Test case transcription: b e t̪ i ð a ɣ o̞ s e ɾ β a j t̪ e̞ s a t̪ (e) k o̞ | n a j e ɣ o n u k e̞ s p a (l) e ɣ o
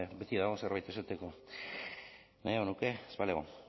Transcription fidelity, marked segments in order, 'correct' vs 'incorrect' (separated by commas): correct, correct